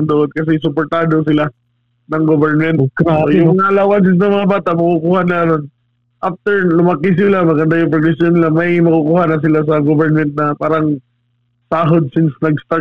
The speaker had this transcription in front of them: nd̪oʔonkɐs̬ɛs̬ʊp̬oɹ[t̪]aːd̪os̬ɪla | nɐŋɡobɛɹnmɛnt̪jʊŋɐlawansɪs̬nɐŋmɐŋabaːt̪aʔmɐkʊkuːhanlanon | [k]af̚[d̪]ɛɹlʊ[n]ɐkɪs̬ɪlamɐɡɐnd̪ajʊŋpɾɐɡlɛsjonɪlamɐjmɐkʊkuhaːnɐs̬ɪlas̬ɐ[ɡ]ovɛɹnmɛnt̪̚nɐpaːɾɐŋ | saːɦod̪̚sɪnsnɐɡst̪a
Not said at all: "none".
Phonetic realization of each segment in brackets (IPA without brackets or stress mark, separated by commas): t̪, ʔ, t̪, m, ɡ